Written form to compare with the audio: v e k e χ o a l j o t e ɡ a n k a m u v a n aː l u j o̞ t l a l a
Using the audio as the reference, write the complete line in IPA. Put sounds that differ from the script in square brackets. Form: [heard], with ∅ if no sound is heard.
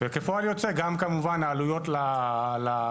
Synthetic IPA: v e k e [f] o a l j o [t͡s] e ɡ a [m] k a m u v a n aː l u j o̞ t l a l a